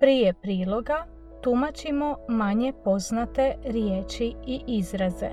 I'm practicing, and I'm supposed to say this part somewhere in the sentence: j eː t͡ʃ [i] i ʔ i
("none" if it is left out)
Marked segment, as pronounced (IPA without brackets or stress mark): i